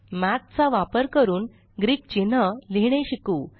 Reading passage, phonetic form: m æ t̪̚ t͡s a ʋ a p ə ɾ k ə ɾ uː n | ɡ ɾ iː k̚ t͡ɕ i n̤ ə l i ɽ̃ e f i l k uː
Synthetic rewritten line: m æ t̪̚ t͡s a ʋ a p ə ɾ k ə ɾ uː n | ɡ ɾ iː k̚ t͡ɕ i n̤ ə l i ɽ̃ e ɕ i k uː

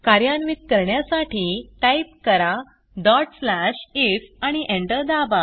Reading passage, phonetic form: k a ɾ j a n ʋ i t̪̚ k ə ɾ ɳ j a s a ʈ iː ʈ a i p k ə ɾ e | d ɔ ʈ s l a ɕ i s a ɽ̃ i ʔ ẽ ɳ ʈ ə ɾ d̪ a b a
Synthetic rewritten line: k a ɾ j a n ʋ i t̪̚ k ə ɾ ɳ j a s a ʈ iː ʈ a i p k ə ɾ a | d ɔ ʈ s l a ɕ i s a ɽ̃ i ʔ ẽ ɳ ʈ ə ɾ d̪ a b a

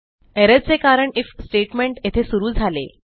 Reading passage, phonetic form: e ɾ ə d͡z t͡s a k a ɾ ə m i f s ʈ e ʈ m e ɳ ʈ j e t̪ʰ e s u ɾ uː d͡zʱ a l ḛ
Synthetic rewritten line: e ɾ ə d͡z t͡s e k a ɾ ə ɳ i f s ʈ e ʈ m e ɳ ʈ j e t̪ʰ e s u ɾ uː d͡zʱ a l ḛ

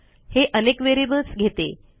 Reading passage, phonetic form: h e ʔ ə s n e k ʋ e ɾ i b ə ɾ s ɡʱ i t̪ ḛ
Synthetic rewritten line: h e ʔ ə n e k ʋ e ɾ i b ə l s ɡʱ e t̪ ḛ

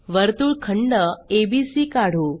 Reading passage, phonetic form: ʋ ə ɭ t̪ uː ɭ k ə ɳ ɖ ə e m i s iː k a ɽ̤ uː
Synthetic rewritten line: ʋ ə ɾ t̪ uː ɭ kʰ ə ɳ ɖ ə e b i s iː k a ɽ̤ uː

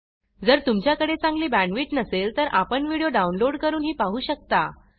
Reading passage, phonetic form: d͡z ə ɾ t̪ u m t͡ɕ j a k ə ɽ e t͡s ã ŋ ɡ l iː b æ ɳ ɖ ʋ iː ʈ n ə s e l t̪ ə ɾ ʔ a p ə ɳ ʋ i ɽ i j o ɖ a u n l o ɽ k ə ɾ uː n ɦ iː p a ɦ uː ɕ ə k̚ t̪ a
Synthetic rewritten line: d͡z ə ɾ t̪ u m t͡ɕ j a k ə ɽ e t͡s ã ŋ ɡ l iː b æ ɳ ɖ ʋ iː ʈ n ə s e l t̪ ə ɾ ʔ a p ə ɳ ʋ i ɽ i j o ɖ a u n l o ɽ k ə ɾ uː n ɦ iː p a ɦ uː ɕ ə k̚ t̪ a

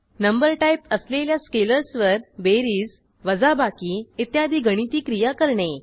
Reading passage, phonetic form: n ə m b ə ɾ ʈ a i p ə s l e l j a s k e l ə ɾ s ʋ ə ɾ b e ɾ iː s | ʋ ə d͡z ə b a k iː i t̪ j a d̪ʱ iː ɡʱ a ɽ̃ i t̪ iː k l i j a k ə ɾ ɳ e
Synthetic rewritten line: n ə m b ə ɾ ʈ a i p ə s l e l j a s k e l ə ɾ s ʋ ə ɾ b e ɾ iː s | ʋ ə d͡z a b a k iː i t̪ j a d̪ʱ iː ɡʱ ə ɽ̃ i t̪ iː k ɾ i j a k ə ɾ ɳ e

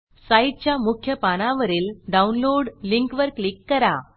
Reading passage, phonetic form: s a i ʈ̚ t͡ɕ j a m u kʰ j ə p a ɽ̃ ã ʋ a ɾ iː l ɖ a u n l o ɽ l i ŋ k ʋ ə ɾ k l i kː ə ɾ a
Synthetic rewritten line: s a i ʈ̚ t͡ɕ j a m u kʰ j ə p a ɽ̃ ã ʋ ə ɾ iː l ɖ a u n l o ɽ l i ŋ k ʋ ə ɾ k l i kː ə ɾ a

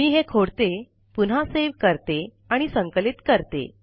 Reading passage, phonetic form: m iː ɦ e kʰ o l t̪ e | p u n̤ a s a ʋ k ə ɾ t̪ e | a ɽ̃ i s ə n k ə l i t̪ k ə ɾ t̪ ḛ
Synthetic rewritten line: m iː ɦ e kʰ o ɽ t̪ e | p u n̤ a s e ʋ k ə ɾ t̪ e | a ɽ̃ i s ə ŋ k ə l i t̪ k ə ɾ t̪ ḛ

